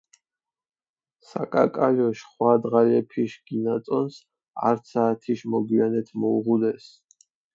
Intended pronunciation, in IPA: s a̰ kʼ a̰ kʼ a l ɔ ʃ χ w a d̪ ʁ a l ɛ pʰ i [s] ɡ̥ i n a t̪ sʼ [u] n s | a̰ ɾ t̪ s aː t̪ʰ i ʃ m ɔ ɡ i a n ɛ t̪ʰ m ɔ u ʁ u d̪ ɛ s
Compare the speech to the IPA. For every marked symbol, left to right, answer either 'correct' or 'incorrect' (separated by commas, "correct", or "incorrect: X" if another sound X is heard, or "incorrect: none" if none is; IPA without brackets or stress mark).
incorrect: ʃ, incorrect: ɔ